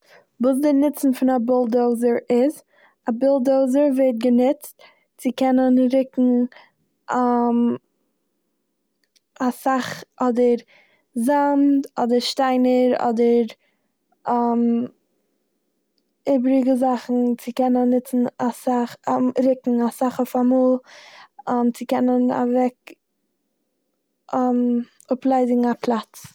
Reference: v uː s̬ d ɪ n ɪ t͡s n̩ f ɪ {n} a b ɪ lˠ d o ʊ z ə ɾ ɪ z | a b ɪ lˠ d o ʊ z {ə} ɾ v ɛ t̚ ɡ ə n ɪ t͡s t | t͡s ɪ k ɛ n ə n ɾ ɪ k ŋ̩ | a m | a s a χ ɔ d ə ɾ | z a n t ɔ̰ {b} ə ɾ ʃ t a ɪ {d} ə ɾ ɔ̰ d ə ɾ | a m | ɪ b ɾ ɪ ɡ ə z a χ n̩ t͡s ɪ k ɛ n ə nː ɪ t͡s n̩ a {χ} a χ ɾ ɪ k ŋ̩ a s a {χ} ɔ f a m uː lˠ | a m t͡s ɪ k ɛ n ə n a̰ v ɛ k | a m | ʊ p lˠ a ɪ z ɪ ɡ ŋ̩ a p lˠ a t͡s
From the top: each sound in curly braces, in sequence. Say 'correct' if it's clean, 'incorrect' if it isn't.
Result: correct, correct, incorrect: d, incorrect: n, incorrect: s, correct

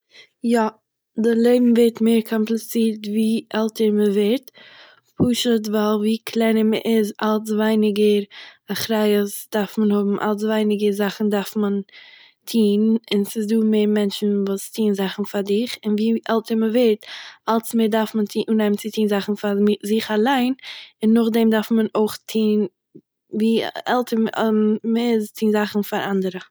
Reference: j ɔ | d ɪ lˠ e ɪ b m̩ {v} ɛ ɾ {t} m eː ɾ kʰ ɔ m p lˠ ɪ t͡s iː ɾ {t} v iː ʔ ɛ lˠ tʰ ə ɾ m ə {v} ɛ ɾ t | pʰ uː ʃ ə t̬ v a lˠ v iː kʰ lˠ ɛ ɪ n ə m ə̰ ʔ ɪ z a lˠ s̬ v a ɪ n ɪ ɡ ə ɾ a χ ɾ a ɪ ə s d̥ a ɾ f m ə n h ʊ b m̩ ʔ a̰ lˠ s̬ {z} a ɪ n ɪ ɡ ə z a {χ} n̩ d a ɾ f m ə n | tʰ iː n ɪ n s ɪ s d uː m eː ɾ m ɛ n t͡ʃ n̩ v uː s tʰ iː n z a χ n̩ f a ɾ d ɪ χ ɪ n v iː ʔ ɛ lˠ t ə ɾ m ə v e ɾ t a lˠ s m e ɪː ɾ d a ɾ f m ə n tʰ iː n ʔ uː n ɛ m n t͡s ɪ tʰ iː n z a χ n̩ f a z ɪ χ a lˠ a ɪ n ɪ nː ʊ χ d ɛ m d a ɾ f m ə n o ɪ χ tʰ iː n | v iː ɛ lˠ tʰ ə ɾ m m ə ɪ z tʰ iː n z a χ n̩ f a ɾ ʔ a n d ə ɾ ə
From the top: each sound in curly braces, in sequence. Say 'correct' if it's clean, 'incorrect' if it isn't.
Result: correct, correct, correct, correct, incorrect: v, correct

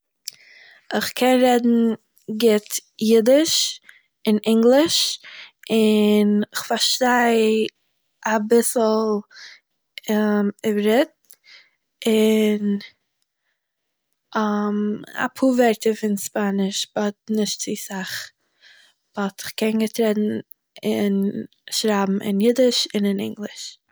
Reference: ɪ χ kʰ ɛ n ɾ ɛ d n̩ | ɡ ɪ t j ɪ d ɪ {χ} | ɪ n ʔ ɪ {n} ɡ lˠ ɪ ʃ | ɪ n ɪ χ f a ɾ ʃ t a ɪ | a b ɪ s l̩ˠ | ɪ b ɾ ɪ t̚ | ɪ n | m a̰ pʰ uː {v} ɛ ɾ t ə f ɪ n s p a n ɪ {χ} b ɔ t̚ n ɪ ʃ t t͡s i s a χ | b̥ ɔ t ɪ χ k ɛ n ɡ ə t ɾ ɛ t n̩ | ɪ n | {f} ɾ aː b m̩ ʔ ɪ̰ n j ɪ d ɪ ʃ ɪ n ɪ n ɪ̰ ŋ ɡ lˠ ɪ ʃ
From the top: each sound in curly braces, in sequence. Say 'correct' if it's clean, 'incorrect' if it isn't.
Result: incorrect: ʃ, incorrect: ŋ, correct, incorrect: ʃ, incorrect: ʃ

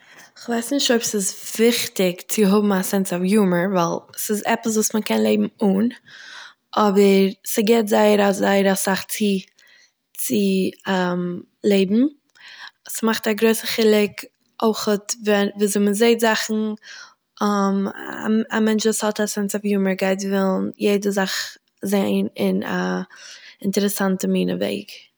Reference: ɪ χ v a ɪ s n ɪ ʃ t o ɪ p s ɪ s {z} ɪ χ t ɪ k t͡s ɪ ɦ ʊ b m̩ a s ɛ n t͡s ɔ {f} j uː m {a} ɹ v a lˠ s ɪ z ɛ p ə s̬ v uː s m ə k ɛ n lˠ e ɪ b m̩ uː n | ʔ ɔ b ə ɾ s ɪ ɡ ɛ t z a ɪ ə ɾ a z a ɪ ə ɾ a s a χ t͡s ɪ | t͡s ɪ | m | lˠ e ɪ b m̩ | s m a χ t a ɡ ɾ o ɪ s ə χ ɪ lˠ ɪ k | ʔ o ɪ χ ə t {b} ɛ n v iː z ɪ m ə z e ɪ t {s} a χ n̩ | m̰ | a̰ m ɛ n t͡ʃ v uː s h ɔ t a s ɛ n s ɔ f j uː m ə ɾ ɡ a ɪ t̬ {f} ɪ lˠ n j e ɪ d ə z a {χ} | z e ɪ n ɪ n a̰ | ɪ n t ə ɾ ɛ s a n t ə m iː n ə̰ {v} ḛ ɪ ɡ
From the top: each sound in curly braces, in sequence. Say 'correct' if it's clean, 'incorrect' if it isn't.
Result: incorrect: v, correct, incorrect: ə, incorrect: v, incorrect: z, incorrect: v, correct, correct

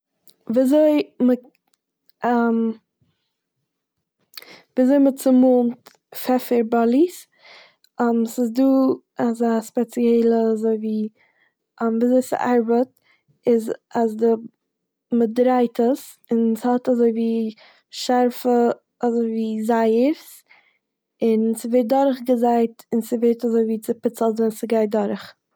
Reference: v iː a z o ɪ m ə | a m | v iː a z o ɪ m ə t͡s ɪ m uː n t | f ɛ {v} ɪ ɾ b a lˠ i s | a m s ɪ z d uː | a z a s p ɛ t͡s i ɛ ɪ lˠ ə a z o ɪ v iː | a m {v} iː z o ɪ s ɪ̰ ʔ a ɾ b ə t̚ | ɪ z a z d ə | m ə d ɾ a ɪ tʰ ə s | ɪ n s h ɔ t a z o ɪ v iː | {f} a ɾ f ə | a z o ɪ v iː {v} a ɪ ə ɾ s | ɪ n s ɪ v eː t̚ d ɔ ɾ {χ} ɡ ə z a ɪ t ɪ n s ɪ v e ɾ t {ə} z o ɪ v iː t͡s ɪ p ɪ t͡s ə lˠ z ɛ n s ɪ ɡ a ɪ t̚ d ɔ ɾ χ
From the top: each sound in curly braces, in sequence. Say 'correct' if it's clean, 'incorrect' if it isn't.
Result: incorrect: f, correct, incorrect: ʃ, incorrect: z, correct, incorrect: a

